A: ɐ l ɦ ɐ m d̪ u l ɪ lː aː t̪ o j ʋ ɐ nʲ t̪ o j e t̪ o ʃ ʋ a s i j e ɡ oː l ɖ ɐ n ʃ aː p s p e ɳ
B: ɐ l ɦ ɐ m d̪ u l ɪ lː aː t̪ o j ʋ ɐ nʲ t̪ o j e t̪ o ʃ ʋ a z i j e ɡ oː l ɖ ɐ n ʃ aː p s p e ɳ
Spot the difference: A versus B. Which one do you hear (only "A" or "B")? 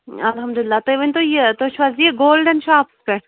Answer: B